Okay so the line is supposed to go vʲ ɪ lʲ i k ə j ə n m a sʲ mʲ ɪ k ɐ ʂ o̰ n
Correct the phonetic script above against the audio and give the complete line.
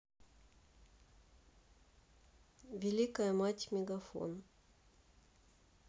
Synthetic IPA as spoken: vʲ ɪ lʲ i k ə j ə m a tʲ mʲ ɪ ɡ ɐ f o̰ n